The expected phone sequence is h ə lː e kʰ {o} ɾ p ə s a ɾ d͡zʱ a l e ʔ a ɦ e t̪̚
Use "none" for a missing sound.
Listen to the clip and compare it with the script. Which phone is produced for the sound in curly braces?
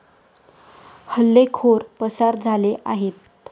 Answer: o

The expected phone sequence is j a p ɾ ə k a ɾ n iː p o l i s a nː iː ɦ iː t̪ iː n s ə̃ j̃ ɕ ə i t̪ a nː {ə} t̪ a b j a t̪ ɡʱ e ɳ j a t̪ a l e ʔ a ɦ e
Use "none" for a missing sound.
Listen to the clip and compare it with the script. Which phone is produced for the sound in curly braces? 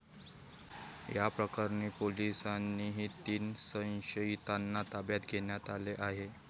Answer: a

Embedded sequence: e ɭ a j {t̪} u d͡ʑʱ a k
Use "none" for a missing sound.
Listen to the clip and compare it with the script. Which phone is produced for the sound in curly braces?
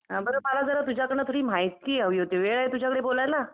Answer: t̪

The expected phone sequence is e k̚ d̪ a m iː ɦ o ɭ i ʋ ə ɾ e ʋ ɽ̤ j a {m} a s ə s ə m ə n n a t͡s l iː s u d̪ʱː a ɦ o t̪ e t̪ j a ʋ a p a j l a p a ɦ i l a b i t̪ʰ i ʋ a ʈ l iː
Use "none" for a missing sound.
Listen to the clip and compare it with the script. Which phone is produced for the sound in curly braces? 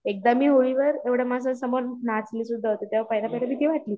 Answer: m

